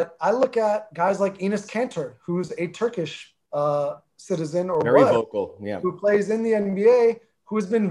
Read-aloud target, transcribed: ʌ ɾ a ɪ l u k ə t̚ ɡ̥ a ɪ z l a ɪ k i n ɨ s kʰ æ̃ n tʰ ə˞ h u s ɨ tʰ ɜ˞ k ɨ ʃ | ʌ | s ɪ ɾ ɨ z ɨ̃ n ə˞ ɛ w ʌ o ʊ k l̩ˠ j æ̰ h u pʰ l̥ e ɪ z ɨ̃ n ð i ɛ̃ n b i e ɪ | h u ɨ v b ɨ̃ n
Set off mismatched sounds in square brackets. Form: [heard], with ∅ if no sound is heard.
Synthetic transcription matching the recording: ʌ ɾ a ɪ l [ʊ] k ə t̚ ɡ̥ a ɪ z l a ɪ k i n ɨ s kʰ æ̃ n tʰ ə˞ h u [z] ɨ tʰ ɜ˞ k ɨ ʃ | ʌ | s ɪ ɾ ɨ z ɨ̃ n ə˞ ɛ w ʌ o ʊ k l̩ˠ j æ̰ h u pʰ l̥ e ɪ z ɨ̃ n ð i ɛ̃ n b i e ɪ | h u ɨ [z] b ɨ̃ n